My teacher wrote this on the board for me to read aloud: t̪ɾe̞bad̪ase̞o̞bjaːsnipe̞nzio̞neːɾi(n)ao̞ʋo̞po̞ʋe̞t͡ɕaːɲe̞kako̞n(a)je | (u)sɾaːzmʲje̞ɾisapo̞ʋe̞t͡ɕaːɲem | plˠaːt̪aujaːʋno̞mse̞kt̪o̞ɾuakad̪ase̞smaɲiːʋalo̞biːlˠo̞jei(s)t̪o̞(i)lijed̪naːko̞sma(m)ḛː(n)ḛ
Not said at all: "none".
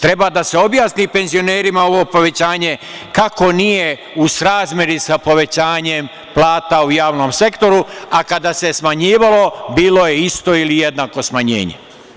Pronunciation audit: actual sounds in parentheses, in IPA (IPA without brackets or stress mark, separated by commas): m, i, u, s, i, ɲ, ɲ